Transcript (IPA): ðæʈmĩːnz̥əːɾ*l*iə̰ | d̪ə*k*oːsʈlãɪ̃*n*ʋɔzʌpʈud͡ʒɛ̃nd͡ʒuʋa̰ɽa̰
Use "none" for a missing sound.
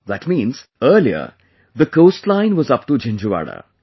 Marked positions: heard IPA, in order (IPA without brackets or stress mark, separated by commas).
l, k, n